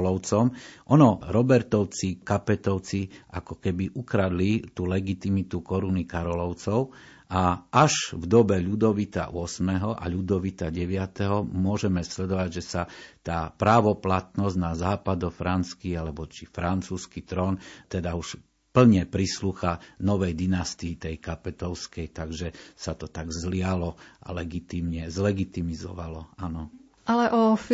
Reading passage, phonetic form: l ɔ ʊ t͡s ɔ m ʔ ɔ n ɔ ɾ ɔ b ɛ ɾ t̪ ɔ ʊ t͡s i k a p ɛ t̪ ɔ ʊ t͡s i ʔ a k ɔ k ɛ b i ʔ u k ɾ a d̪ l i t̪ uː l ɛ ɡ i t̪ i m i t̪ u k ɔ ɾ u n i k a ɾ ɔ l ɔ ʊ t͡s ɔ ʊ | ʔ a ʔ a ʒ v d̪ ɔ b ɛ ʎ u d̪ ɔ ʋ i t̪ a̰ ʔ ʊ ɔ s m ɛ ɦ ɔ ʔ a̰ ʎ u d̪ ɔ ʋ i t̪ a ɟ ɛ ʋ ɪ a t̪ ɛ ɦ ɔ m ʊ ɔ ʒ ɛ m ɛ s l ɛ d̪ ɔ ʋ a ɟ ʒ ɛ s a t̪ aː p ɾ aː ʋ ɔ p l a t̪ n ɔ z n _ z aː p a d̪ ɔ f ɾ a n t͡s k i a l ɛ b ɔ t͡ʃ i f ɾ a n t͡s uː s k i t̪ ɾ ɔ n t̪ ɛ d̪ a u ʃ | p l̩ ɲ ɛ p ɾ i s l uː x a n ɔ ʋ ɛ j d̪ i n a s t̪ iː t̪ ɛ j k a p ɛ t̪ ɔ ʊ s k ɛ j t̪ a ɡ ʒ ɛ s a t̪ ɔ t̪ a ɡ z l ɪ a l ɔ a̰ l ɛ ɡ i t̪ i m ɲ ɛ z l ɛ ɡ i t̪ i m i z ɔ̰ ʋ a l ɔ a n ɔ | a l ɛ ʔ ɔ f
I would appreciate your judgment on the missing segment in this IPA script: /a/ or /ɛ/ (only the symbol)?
a